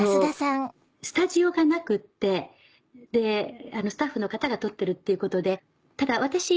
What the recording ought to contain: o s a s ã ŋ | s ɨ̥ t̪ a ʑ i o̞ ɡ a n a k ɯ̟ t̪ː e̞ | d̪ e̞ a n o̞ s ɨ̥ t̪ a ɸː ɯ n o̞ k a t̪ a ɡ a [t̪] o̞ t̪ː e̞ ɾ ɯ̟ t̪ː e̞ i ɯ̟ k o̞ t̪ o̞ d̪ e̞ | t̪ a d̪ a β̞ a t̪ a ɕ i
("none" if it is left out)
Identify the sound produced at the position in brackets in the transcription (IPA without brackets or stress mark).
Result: t̪